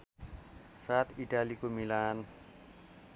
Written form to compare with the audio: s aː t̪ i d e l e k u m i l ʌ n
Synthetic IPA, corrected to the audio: s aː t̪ i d a l i k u m i l a n